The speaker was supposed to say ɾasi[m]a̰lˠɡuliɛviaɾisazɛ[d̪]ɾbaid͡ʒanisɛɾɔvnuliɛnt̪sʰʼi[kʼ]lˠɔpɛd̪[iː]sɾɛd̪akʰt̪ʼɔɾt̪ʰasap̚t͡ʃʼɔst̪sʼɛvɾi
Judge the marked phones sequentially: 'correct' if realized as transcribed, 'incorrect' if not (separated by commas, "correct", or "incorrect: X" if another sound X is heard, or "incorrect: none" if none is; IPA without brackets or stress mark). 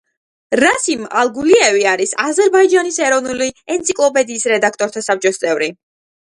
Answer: correct, incorrect: none, correct, correct